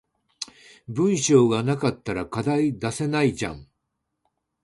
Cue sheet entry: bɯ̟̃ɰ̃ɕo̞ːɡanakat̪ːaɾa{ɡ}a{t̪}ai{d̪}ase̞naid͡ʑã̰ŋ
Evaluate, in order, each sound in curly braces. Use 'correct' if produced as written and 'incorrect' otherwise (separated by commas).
incorrect, incorrect, correct